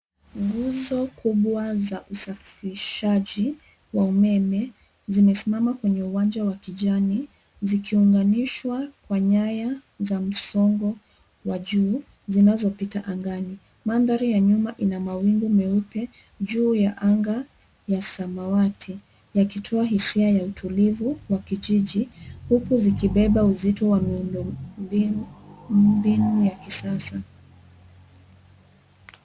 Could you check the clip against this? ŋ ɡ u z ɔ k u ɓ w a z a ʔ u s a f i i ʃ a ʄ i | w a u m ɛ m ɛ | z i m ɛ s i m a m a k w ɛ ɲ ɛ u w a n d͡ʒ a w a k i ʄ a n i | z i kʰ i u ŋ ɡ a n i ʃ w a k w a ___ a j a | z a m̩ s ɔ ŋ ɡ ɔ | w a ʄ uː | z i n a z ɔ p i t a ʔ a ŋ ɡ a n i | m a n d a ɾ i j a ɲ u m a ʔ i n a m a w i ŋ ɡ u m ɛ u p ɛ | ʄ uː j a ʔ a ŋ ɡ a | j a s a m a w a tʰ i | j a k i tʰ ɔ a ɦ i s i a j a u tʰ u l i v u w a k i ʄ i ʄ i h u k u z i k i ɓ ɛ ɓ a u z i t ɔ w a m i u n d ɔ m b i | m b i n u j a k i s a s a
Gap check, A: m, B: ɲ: B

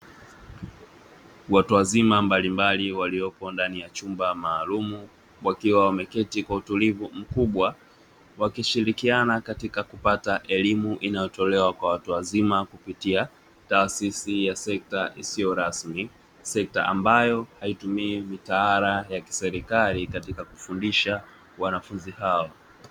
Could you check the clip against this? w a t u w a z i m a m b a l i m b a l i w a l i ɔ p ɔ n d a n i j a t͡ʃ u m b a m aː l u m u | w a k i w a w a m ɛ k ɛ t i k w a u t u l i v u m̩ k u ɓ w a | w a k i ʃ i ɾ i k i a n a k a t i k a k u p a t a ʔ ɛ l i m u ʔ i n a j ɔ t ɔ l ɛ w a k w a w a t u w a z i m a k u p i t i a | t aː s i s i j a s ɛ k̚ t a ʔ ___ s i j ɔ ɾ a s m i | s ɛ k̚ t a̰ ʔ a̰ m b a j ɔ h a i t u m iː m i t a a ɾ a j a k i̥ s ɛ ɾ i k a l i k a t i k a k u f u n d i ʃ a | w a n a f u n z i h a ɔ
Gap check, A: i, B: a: A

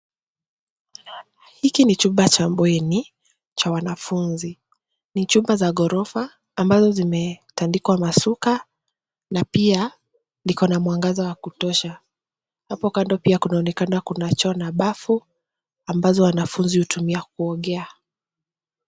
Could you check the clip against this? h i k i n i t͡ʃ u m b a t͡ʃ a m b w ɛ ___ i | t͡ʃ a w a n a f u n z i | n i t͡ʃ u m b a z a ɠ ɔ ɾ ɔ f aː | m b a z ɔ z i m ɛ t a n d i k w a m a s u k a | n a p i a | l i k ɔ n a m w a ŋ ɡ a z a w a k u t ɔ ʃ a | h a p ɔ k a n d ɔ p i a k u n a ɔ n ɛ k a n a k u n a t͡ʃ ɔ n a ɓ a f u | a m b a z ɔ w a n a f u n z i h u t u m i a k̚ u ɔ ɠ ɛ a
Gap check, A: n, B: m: A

